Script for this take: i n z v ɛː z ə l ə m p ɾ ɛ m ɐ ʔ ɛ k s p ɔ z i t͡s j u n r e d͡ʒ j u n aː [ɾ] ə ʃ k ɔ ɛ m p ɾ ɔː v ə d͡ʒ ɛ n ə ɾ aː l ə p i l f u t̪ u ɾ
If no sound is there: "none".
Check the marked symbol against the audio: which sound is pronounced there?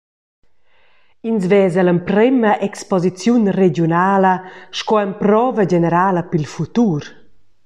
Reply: l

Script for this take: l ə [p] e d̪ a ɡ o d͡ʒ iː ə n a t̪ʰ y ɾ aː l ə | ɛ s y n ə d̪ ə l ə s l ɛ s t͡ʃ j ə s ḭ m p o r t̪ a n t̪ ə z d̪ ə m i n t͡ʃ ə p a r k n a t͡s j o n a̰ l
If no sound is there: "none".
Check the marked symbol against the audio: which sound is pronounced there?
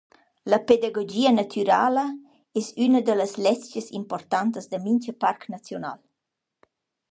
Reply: p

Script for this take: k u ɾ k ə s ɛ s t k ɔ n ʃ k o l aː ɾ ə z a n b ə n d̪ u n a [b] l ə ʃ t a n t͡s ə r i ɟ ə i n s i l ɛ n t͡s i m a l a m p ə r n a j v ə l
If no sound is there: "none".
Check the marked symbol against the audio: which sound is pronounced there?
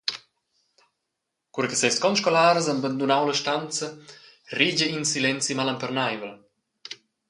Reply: w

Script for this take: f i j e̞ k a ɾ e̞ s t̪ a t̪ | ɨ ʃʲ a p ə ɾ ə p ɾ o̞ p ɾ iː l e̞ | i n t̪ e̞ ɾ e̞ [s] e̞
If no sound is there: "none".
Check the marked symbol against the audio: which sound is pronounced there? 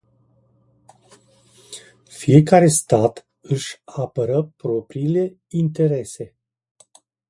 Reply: s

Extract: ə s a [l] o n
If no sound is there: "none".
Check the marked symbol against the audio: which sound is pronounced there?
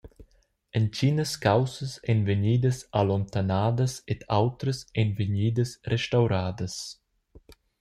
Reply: l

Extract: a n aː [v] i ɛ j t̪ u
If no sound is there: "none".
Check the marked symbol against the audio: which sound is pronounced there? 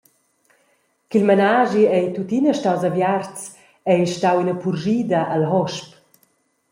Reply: ʒ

